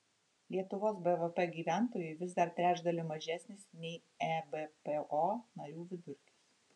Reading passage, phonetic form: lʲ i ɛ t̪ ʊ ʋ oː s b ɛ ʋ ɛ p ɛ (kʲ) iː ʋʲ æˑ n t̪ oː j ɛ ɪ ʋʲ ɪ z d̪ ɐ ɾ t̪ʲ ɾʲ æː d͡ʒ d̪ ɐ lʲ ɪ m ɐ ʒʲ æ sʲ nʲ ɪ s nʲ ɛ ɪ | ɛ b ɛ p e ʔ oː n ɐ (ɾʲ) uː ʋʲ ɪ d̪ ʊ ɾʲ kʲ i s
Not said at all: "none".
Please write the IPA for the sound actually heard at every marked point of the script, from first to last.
ɡʲ, ɾʲ

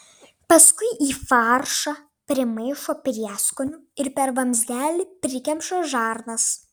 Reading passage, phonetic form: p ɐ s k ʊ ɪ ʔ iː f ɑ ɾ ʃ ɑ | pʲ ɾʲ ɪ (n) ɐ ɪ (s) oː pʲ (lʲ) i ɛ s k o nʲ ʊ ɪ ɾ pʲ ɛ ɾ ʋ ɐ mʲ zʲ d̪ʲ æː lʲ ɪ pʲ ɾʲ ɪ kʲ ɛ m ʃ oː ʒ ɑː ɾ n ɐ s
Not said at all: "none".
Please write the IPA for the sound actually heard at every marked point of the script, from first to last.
m, ʃ, ɾʲ

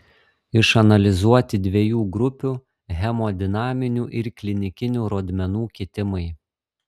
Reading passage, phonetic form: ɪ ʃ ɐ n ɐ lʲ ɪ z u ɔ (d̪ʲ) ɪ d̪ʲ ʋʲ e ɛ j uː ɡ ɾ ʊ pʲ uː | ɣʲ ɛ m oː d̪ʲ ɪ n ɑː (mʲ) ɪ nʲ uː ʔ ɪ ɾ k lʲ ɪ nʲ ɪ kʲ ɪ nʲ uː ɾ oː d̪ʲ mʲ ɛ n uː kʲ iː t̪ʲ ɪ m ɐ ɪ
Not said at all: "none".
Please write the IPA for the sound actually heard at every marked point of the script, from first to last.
t̪ʲ, mʲ

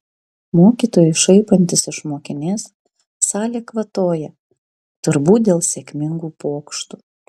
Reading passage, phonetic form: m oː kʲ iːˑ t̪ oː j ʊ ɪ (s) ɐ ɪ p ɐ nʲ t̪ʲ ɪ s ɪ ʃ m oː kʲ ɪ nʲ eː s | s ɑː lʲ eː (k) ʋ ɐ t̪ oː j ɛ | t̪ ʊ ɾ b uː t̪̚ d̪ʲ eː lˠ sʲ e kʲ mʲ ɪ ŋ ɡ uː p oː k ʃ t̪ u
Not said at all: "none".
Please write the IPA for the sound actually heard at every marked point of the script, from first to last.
ʃ, k

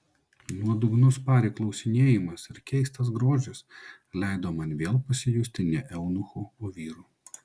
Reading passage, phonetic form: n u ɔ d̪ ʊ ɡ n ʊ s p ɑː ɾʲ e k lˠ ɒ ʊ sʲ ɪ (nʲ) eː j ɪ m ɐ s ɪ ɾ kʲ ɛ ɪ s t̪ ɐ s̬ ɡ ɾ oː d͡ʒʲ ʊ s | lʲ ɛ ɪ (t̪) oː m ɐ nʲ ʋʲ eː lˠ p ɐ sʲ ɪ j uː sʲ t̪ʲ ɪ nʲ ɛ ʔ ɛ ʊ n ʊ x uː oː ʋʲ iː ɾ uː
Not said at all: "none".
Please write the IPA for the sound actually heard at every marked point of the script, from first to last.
nʲ, d̪

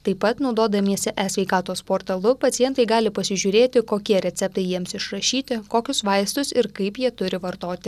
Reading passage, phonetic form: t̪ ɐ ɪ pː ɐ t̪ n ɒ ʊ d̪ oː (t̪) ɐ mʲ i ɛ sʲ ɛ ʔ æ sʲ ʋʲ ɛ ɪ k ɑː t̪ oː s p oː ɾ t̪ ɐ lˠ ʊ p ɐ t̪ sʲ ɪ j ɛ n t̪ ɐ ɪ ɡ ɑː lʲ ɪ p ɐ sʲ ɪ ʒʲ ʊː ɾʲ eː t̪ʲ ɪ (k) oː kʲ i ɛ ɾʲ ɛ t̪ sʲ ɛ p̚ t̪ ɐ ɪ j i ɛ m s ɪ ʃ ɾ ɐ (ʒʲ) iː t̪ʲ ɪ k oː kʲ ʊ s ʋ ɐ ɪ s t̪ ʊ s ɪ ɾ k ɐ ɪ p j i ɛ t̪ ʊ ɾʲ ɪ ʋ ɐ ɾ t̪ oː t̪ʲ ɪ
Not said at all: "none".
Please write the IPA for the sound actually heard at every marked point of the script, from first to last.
d̪, k, ʃʲ

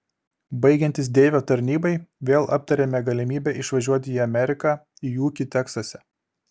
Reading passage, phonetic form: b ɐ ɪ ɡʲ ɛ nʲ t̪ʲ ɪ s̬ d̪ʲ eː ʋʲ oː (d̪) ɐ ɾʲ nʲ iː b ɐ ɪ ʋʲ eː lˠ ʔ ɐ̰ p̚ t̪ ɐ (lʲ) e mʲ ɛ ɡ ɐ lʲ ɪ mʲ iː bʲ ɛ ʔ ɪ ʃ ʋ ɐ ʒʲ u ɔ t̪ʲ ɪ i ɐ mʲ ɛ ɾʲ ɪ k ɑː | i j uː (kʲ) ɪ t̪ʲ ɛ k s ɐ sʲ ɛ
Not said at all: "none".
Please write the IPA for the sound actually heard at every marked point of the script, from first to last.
t̪, ɾʲ, kʲ

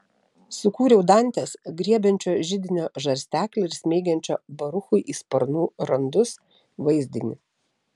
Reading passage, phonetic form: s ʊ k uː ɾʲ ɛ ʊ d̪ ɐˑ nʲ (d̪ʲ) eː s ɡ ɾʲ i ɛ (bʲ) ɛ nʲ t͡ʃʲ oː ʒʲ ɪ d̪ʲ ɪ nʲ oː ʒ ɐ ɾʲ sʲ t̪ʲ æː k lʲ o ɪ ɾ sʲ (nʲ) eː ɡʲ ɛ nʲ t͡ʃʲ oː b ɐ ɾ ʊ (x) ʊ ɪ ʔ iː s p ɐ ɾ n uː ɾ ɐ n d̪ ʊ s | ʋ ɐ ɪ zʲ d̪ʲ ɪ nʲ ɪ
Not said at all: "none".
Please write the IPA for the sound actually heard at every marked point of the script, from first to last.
t̪ʲ, bʲ, mʲ, x

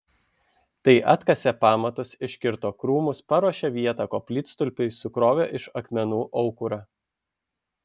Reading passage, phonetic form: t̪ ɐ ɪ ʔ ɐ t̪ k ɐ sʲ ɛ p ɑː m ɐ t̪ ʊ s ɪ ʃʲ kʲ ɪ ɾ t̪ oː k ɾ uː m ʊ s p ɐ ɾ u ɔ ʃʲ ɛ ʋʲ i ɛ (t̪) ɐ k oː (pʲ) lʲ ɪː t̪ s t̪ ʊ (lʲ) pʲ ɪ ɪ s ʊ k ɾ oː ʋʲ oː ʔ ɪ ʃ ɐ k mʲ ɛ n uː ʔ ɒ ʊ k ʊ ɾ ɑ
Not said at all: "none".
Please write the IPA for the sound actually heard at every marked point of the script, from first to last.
t̪, pʲ, lʲ

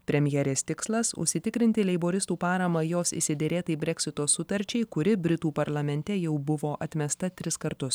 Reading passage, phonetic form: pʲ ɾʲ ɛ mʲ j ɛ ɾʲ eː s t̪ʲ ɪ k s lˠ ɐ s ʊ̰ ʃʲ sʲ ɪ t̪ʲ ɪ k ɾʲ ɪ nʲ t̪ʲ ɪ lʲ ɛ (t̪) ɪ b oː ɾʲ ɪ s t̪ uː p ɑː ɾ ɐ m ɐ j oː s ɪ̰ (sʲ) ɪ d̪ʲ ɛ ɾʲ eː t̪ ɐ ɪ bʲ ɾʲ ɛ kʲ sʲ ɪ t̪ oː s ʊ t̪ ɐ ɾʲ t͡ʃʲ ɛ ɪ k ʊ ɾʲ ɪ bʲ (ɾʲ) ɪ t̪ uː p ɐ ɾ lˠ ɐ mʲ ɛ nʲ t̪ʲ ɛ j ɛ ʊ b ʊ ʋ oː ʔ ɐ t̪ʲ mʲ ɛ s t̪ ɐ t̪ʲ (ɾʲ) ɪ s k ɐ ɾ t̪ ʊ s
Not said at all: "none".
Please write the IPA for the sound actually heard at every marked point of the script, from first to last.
none, sʲ, ɾʲ, ɾʲ

